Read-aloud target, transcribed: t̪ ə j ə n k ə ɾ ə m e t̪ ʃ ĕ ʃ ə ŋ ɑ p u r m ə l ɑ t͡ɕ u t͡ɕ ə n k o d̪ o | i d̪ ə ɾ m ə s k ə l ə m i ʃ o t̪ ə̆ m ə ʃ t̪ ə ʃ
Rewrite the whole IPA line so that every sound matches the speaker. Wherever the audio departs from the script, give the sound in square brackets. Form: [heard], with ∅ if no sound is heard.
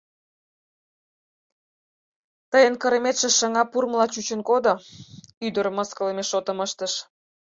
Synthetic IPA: t̪ ə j ə n k ə ɾ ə m e t̪ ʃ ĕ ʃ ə ŋ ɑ p u r m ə l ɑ t͡ɕ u t͡ɕ ə n k o d̪ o | [y] d̪ ə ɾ m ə s k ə l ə m [e] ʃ o t̪ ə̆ m ə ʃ t̪ ə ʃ